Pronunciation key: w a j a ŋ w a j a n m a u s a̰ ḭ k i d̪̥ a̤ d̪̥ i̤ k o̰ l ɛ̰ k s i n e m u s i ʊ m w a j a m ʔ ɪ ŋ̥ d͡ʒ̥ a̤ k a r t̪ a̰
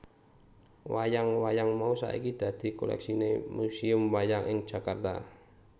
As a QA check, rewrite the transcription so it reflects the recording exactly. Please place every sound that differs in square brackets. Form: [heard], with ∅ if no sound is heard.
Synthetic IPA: w a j a ŋ w a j a [ŋ] m a u s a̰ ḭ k i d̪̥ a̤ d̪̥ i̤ k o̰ l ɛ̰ k s i n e m u s i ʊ m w a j a [ŋ] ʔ ɪ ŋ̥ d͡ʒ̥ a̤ k a r t̪ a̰